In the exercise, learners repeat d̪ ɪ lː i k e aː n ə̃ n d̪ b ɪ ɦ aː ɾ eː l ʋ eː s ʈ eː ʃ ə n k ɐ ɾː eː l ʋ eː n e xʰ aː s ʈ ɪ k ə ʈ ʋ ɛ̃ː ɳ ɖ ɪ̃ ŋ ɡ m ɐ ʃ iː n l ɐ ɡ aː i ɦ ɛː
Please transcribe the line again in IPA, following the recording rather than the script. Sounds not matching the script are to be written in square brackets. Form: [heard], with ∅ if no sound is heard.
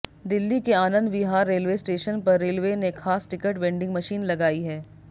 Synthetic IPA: d̪ ɪ lː i k e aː n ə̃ n d̪ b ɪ ɦ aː [ɾː] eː l ʋ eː s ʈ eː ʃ ə n [p] ɐ ɾː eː l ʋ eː n e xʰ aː s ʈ ɪ k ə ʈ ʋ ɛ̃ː ɳ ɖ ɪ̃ ŋ ɡ m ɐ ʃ iː n l ɐ ɡ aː i ɦ ɛː